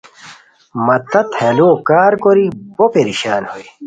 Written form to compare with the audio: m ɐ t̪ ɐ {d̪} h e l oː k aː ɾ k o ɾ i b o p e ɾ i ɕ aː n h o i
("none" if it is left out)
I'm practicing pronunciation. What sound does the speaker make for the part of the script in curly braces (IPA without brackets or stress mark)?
t̪